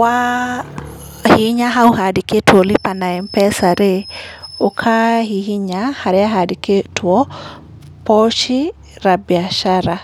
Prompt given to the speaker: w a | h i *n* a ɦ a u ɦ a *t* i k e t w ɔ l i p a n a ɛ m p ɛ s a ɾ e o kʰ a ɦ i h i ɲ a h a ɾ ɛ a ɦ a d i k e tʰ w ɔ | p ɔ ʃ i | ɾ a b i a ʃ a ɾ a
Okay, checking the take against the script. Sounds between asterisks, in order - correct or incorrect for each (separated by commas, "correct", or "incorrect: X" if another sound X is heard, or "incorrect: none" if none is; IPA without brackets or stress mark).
incorrect: ɲ, incorrect: d